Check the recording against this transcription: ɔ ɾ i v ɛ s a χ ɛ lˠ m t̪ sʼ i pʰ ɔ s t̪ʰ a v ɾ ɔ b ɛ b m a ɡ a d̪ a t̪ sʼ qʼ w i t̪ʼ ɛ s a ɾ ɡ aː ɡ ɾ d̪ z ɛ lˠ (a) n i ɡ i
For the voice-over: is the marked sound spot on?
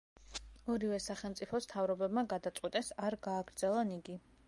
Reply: yes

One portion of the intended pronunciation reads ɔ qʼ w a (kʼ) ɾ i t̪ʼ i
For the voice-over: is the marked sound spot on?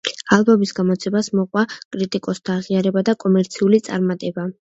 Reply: yes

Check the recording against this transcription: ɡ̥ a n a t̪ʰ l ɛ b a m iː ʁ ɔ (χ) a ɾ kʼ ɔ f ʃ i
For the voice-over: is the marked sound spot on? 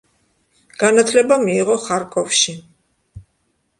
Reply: yes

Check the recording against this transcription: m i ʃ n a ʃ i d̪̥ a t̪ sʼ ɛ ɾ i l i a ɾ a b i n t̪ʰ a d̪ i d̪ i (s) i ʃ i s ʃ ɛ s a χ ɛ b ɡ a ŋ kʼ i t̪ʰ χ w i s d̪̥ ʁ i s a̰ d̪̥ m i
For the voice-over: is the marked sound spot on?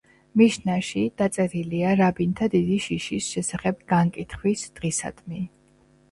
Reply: no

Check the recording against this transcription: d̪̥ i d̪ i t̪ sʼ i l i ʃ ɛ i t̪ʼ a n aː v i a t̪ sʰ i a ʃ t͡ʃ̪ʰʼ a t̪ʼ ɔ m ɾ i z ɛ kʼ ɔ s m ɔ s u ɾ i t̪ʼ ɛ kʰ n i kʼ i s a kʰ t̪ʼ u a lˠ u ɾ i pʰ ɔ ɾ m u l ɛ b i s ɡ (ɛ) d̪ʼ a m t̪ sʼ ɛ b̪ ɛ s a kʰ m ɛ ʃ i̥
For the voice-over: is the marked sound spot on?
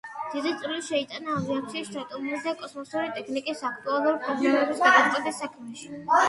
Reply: no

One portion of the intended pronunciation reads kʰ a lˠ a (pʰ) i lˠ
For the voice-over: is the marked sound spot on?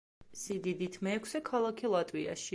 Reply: no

